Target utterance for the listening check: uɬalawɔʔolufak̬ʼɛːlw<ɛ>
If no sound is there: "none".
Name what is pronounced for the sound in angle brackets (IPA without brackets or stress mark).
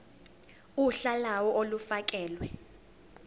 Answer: ɛ